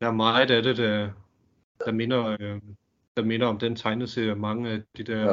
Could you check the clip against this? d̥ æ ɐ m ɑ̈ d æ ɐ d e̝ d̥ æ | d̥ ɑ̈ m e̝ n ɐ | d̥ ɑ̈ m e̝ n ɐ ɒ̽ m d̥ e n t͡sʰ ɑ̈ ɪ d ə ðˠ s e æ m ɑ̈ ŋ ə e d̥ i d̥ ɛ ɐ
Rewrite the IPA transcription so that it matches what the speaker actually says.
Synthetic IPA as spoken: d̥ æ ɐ m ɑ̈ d æ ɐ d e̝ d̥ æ | d̥ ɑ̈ m e̝ n ɐ | d̥ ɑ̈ m e̝ n ɐ ɒ̽ m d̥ e n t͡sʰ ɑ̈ ɪ n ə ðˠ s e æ m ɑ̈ ŋ ə æ d̥ i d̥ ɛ ɐ